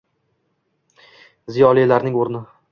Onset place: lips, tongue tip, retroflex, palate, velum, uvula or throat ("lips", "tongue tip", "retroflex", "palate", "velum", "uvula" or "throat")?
tongue tip